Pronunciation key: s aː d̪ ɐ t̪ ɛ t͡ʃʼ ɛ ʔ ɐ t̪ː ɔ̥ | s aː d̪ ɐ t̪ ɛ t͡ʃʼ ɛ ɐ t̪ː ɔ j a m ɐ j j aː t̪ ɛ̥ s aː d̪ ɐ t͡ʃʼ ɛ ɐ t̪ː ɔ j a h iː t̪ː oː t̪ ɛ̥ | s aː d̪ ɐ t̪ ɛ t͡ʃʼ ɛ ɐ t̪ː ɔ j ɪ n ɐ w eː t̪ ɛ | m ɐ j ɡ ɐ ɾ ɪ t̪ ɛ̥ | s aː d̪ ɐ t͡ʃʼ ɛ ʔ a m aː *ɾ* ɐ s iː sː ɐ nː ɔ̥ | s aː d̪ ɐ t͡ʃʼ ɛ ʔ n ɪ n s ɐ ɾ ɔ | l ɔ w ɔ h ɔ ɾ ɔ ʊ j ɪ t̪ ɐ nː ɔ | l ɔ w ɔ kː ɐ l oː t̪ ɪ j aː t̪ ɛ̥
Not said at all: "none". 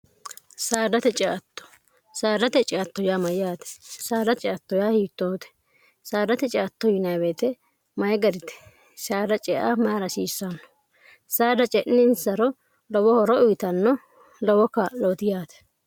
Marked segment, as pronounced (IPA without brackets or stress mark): ɾ